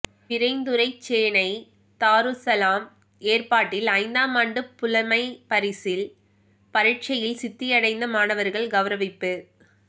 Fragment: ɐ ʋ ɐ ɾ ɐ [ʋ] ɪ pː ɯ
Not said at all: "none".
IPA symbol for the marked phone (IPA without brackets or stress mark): ʋ